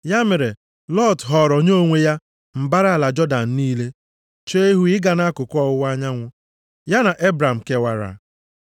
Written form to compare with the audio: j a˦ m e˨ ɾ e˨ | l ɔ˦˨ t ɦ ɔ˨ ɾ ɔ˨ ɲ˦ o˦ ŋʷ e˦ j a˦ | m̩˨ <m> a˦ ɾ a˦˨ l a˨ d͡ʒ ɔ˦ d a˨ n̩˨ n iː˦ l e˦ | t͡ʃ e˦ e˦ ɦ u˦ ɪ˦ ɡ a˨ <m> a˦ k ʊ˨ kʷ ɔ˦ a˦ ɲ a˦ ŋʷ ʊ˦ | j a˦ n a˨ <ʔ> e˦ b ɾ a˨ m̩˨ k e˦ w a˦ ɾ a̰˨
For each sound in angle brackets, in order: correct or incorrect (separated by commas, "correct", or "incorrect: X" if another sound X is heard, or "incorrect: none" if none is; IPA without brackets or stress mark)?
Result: incorrect: b, incorrect: n, correct